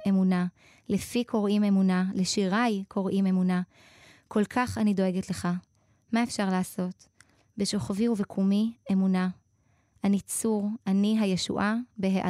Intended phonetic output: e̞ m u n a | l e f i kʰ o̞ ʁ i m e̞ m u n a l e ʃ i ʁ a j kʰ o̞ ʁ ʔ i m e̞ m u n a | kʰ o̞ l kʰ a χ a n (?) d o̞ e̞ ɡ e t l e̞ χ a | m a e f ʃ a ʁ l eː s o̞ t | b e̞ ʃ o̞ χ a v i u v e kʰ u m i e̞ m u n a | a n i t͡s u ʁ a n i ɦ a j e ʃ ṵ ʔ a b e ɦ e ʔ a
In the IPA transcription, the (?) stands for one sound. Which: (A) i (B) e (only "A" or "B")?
A